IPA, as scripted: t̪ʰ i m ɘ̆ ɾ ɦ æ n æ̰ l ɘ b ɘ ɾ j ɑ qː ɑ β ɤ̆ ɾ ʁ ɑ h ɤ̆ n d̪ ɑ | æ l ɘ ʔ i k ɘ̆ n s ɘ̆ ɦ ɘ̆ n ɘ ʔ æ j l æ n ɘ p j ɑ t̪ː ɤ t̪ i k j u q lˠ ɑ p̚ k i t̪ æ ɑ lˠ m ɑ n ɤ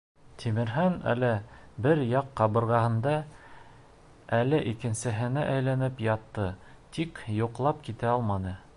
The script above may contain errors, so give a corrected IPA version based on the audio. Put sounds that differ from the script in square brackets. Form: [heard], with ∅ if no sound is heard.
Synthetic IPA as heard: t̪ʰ i m ɘ̆ ɾ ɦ æ n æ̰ l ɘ b ɘ ɾ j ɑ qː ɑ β ɤ̆ ɾ ʁ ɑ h ɤ̆ n d̪ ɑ | æ l ɘ ʔ i k ɘ̆ n s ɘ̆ ɦ ɘ̆ n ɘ ʔ æ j l æ n ɘ p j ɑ t̪ː ɤ t̪ i k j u q lˠ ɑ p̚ k i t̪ æ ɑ lˠ m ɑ n ɤ